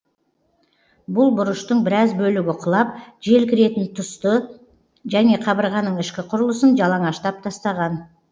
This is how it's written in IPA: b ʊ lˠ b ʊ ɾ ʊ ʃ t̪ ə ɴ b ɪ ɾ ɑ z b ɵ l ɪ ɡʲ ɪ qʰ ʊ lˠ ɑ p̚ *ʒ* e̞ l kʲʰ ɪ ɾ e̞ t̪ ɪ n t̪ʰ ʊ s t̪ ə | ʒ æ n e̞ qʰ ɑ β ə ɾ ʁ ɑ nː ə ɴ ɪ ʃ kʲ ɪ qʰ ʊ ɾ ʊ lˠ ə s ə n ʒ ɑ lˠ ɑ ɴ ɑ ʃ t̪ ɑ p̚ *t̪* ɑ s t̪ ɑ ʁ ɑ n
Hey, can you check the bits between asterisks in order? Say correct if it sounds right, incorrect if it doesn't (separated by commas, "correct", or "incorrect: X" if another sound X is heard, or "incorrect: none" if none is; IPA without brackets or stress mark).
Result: correct, incorrect: t̪ʰ